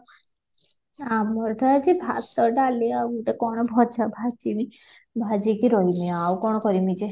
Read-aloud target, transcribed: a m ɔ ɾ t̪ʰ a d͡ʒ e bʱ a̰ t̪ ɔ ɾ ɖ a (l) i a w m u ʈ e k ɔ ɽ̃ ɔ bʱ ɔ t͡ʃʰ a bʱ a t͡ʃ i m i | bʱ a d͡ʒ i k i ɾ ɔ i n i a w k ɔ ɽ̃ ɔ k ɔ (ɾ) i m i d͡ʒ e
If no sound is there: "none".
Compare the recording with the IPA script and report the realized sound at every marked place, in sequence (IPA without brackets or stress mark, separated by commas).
l, ɾ